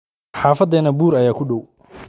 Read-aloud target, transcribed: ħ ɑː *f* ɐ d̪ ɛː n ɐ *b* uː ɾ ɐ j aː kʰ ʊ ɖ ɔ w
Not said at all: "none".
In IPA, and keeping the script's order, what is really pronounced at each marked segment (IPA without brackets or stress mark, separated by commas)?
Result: f, b